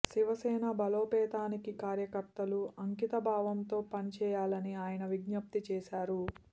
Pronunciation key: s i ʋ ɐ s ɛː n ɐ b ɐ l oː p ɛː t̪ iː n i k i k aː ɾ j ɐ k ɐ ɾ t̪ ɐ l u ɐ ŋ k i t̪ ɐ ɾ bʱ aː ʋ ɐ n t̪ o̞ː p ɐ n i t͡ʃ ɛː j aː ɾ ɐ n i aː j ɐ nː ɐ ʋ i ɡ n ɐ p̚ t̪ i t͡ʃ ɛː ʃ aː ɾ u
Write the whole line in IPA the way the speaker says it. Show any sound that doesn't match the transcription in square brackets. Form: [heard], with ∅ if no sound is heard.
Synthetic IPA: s i ʋ ɐ s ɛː n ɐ b ɐ l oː p ɛː t̪ [aː] n i k i k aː ɾ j ɐ k ɐ ɾ t̪ ɐ l u ɐ ŋ k i t̪ ɐ [∅] bʱ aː ʋ ɐ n t̪ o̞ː p ɐ n i t͡ʃ ɛː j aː [l] ɐ n i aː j ɐ [n] ɐ ʋ i ɡ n ɐ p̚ t̪ i t͡ʃ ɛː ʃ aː ɾ u